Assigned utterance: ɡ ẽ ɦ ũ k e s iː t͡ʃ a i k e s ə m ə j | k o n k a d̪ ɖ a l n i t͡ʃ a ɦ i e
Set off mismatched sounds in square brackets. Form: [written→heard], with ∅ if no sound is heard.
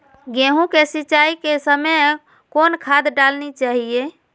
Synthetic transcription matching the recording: ɡ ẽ ɦ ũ k e s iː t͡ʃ a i k e s ə m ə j | k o n [k→kʰ] a d̪ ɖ a l n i t͡ʃ a ɦ i e